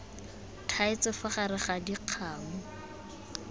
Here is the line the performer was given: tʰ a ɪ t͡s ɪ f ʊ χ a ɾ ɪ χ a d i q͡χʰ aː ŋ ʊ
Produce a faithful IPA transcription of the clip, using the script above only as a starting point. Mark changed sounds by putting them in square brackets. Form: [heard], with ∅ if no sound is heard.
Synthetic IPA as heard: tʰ a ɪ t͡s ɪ f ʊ χ a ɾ ɪ χ a d i q͡χʰ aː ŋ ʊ